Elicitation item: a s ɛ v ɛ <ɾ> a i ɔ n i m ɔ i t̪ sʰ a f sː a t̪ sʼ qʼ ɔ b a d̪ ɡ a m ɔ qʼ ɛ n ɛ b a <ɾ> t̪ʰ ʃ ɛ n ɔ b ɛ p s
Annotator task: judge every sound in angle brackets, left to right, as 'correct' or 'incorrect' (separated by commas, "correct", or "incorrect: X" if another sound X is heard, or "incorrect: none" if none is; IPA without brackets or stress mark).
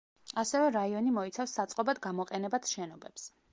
correct, incorrect: none